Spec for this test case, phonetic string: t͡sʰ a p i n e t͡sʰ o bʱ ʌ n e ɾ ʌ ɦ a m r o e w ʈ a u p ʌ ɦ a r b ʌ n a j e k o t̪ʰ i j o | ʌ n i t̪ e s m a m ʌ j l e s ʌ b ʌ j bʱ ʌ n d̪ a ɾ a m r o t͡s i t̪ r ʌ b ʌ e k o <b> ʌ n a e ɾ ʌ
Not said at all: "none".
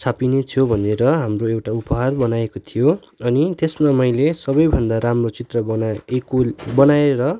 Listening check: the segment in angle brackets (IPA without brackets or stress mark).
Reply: b